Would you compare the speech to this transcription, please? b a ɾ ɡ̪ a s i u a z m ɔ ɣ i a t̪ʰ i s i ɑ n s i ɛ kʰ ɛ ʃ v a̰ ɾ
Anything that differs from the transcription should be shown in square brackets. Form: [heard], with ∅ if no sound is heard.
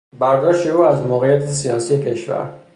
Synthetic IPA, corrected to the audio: b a ɾ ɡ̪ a [ʃ] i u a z m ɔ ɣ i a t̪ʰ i s i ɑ n s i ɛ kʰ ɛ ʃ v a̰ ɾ